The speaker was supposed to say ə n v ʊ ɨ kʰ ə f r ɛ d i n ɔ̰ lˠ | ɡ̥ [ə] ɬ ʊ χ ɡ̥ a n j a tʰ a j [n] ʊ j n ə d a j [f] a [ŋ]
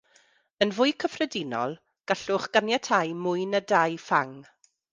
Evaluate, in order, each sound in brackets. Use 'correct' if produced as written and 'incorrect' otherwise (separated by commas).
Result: incorrect, incorrect, correct, correct